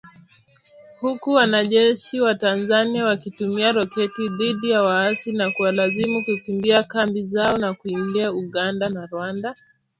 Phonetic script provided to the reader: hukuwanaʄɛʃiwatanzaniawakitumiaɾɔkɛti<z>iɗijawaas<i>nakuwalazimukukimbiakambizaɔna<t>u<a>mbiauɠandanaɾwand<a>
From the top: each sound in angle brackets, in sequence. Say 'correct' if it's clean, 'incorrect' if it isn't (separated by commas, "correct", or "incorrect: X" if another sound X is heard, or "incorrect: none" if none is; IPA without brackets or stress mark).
incorrect: ð, correct, incorrect: k, incorrect: i, correct